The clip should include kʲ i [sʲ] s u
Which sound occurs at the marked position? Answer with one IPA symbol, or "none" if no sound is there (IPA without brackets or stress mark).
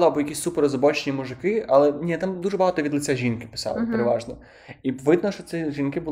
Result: sʲ